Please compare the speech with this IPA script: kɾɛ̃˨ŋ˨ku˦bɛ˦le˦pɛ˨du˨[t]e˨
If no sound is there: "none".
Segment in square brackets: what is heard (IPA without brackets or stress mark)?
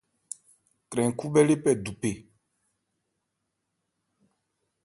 p